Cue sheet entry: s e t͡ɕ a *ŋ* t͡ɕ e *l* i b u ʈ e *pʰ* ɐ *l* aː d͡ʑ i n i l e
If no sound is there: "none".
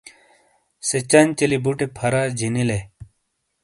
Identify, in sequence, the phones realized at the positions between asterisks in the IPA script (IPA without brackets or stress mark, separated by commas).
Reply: n, l, pʰ, ɾ